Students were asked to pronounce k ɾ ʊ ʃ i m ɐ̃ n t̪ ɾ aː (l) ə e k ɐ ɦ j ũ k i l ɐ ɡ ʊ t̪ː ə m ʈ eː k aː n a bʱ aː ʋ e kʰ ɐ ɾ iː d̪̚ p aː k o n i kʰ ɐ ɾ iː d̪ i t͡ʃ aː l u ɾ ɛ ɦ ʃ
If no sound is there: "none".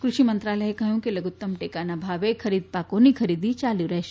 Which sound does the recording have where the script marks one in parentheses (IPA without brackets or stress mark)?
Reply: l